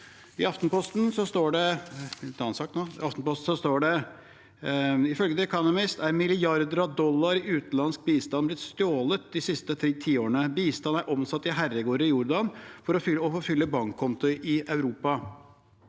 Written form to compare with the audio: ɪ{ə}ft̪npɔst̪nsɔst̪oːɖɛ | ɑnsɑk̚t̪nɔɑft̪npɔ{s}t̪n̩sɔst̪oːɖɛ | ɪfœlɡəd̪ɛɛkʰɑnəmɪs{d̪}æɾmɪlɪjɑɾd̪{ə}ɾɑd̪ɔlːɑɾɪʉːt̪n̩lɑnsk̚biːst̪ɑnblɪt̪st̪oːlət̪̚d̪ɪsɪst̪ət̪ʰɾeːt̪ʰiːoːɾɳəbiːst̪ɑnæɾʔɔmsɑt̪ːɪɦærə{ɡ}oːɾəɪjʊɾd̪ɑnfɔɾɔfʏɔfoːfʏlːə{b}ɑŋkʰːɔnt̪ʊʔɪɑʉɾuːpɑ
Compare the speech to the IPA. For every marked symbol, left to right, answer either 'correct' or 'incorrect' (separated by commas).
incorrect, correct, incorrect, correct, correct, correct